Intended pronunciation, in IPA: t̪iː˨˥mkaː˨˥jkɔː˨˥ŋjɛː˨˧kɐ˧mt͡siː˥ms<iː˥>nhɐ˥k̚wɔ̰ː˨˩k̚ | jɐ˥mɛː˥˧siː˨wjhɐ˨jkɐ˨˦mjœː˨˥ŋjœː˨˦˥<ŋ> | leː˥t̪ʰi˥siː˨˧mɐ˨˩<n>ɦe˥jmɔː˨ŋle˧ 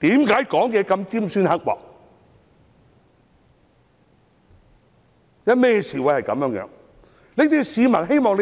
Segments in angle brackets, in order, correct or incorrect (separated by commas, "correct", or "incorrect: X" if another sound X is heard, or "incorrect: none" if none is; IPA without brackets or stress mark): incorrect: yː˥, correct, correct